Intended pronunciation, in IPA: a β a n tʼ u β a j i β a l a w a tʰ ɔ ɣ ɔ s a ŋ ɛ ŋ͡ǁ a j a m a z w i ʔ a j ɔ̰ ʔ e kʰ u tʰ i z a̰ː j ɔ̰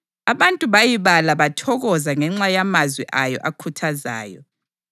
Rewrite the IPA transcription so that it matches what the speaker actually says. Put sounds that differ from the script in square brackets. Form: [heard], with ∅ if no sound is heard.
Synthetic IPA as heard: a β a n tʼ u β a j i β a l a [β] a tʰ ɔ ɣ ɔ [z] a ŋ ɛ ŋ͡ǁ a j a m a z w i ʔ a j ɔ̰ ʔ [a] kʰ u tʰ [a] z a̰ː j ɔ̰